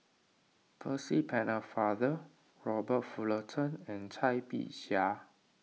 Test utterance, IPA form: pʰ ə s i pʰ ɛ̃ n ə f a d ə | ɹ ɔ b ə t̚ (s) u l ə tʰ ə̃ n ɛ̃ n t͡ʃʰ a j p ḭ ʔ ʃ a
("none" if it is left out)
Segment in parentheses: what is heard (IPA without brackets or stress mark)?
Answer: f